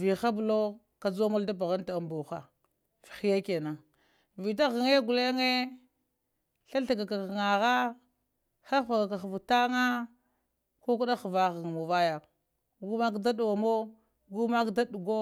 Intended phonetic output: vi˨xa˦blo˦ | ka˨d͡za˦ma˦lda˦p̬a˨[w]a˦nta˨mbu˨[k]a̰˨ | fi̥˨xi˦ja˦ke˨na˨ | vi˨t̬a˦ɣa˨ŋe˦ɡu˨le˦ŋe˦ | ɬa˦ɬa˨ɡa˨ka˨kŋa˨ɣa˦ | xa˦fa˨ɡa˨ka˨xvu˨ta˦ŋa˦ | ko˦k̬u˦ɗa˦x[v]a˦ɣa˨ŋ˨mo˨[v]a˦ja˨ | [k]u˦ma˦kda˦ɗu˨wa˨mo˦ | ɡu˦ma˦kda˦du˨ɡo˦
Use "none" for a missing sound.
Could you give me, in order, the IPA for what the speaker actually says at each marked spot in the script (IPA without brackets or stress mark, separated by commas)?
ɣ, x, v, v, ɡ